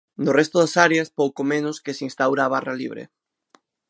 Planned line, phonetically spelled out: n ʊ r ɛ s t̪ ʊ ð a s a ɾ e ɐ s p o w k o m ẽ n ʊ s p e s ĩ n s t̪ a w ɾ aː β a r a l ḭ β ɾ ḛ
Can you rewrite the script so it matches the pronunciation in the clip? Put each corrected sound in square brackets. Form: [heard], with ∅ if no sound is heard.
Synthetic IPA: n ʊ r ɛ s t̪ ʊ ð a s a ɾ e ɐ s p o w k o m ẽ n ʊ s [k] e s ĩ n s t̪ a w ɾ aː β a r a l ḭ β ɾ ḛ